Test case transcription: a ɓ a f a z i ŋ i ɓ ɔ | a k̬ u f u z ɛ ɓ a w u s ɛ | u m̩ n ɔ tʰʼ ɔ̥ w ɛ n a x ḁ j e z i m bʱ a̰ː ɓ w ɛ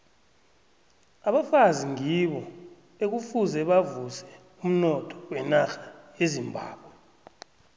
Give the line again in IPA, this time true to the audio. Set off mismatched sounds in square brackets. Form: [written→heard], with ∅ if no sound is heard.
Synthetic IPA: a ɓ a f a z i ŋ i ɓ ɔ | [a→e] k̬ u f u z ɛ ɓ a [w→v] u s ɛ | u m̩ n ɔ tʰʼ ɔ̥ w ɛ n a x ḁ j e z i m bʱ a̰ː ɓ w ɛ